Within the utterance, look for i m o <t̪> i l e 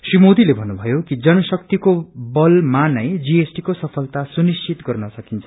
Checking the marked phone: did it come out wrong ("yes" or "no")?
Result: yes